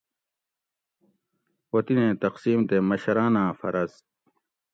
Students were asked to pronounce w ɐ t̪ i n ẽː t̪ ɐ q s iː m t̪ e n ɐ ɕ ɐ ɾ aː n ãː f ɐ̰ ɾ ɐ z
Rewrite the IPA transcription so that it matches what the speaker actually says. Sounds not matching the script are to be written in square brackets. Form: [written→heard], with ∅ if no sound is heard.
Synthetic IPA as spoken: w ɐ t̪ i n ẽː t̪ ɐ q s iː m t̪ e [n→m] ɐ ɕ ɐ ɾ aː n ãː f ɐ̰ ɾ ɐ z